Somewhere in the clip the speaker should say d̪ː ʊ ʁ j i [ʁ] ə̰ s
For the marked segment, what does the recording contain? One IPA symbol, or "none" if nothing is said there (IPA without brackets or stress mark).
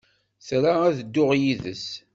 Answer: ð